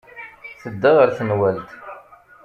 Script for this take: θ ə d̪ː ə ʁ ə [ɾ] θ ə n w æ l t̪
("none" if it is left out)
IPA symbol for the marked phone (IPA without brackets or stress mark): ɾ